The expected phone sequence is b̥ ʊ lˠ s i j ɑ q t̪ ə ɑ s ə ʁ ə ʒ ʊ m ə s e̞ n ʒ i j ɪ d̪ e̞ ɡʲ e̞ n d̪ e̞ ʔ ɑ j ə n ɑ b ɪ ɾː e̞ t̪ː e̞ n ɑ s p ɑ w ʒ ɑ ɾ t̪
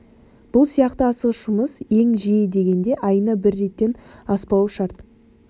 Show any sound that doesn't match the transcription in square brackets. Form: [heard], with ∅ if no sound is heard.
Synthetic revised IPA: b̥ ʊ lˠ s i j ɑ q t̪ ə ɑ s ə ʁ ə [ʃ] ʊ m ə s e̞ [ŋ] ʒ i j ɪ d̪ e̞ ɡʲ e̞ n d̪ e̞ ʔ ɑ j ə n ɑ b ɪ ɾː e̞ t̪ː e̞ n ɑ s p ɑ w [ʃ] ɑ ɾ t̪